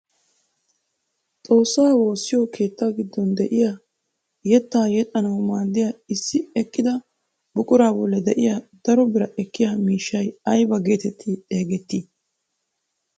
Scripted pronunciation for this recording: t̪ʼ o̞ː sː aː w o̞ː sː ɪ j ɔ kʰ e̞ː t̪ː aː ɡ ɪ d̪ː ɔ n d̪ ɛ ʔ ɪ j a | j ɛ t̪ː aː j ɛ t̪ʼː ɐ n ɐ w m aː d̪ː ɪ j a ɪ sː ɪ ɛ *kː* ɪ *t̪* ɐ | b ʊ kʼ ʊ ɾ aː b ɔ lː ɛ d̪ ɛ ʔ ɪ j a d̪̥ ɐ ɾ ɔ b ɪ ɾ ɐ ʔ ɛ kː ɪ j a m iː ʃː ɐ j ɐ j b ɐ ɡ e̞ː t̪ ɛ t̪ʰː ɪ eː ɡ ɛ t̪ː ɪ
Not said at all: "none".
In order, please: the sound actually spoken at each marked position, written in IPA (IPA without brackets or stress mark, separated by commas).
kː, d̪